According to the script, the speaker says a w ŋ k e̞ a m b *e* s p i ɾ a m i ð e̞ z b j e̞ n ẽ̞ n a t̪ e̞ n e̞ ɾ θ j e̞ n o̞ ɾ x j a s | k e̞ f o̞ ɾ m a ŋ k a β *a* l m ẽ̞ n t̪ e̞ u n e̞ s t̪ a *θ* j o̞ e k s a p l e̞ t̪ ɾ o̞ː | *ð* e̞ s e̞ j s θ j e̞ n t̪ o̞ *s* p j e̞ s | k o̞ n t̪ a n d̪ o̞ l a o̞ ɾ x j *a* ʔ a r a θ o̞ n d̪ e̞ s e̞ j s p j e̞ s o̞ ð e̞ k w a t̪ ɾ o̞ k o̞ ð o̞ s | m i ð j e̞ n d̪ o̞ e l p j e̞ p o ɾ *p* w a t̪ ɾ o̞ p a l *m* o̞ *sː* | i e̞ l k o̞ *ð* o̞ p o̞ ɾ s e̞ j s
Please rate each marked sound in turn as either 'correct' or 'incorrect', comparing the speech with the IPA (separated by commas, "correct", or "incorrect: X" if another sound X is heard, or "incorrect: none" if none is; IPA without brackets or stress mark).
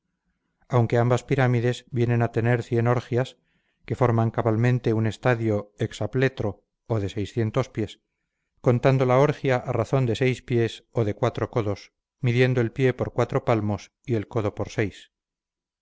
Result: incorrect: a, correct, incorrect: ð, correct, correct, correct, incorrect: k, correct, incorrect: s, correct